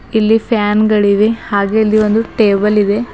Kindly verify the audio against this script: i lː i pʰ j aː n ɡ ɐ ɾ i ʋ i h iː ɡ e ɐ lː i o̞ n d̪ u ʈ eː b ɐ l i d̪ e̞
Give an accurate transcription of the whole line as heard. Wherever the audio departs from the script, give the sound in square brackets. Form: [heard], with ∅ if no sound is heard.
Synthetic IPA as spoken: i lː i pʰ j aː n ɡ ɐ [ɭ] i ʋ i h [aː] ɡ e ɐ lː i o̞ n d̪ u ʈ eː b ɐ l i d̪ e̞